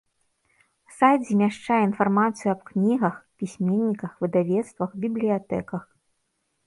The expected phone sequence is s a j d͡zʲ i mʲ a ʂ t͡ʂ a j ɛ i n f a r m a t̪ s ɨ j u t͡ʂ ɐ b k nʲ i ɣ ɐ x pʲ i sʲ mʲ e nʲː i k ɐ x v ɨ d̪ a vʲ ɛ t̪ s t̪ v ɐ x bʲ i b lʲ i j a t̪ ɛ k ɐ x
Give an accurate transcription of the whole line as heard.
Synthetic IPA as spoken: s a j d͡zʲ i mʲ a ʂ t͡ʂ a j ɛ i n f a r m a t̪ s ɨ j u ɐ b k nʲ i ɣ ɐ x pʲ i sʲ mʲ e nʲː i k ɐ x v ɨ d̪ a vʲ ɛ t̪ s t̪ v ɐ x bʲ i b lʲ i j a t̪ ɛ k ɐ x